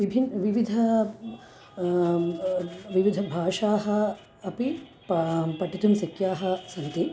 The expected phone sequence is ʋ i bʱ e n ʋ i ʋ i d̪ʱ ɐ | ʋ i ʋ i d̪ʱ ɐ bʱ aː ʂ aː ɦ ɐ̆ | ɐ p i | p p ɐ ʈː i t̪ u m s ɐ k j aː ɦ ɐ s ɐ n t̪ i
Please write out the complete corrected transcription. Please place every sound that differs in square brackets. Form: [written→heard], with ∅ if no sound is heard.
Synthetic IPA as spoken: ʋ i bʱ [e→i] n ʋ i ʋ i d̪ʱ ɐ | ʋ i ʋ i d̪ʱ ɐ bʱ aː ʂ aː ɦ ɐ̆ | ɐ p i | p p ɐ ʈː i t̪ u m s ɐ k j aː ɦ ɐ s ɐ n t̪ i